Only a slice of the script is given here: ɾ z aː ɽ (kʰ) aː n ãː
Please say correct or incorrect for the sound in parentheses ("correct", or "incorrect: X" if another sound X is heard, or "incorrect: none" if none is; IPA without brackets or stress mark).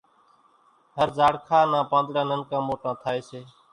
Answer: correct